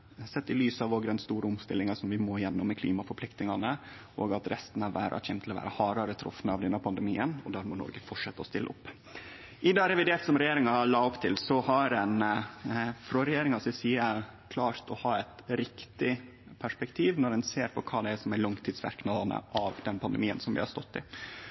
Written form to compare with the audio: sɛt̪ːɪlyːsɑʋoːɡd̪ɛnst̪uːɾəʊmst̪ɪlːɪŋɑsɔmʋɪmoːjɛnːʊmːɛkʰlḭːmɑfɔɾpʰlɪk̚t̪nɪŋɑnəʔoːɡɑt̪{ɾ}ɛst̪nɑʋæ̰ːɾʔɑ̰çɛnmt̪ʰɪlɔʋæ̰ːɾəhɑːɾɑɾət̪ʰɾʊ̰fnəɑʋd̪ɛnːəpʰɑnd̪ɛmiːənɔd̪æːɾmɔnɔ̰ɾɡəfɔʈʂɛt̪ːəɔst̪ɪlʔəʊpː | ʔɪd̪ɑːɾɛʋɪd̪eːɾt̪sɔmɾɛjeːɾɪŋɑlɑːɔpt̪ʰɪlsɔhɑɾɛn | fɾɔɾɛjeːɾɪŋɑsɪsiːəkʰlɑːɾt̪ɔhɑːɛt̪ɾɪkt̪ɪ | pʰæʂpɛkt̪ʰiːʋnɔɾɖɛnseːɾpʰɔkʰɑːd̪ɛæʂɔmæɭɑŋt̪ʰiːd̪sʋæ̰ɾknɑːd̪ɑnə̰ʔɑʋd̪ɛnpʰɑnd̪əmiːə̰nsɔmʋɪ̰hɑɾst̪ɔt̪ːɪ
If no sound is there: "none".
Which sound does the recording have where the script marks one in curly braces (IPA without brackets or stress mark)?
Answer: ɾ